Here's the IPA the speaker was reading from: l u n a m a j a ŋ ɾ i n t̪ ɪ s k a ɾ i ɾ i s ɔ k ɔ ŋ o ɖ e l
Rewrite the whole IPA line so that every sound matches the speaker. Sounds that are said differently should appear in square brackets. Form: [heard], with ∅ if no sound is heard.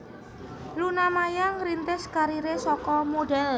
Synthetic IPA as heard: l u n a m a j a ŋ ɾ i n t̪ ɪ s k a ɾ i ɾ [e] s ɔ k ɔ [m] o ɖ [ɛ] l